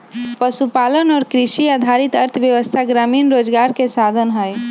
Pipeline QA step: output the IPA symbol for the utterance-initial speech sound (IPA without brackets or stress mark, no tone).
p